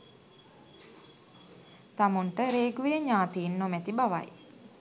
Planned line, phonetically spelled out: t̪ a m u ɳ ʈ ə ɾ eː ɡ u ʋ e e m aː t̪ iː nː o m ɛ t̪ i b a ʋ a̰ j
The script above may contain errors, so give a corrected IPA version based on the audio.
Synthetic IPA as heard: t̪ a m u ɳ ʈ ə ɾ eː ɡ u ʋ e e ɲ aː t̪ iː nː o m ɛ t̪ i b a ʋ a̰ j